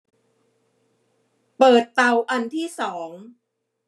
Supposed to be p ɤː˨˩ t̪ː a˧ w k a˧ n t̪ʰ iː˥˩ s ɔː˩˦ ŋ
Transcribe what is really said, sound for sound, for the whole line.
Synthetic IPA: p ɤː˨˩ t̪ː a˧ w ʔ a˧ n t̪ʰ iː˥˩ s ɔː˩˦ ŋ

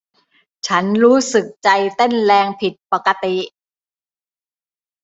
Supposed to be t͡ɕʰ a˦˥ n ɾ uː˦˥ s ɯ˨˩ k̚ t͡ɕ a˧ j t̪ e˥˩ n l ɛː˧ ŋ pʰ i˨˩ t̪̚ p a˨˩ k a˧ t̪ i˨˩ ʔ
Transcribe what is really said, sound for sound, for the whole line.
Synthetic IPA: t͡ɕʰ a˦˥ n ɾ uː˦˥ s ɯ˨˩ k̚ t͡ɕ a˧ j t̪ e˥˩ n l ɛː˧ ŋ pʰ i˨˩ t̪̚ p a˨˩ k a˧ t̪ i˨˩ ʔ

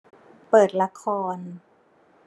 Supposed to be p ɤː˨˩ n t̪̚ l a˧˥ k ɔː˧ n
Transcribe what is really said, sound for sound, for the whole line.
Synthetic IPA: p ɤː˨˩ t̪̚ l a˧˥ kʰ ɔː˧ n

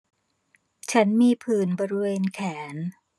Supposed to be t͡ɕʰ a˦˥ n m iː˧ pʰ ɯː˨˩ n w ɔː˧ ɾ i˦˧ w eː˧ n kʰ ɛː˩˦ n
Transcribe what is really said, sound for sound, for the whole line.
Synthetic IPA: t͡ɕʰ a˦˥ n m iː˧ pʰ ɯː˨˩ n b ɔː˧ ɾ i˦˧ w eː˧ n kʰ ɛː˩˦ n

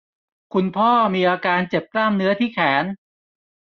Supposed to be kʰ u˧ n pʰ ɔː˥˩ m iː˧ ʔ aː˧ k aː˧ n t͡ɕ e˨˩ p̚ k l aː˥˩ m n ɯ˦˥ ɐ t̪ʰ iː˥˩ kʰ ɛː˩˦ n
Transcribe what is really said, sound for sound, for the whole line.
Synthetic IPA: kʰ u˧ n pʰ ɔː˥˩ m iː˧ ʔ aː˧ k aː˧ n t͡ɕ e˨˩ p̚ k l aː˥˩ m n ɯ˦˥ ɐ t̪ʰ iː˥˩ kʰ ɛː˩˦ n

